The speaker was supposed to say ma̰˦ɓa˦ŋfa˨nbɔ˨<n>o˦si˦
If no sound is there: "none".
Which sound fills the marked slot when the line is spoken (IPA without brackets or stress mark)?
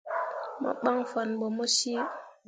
m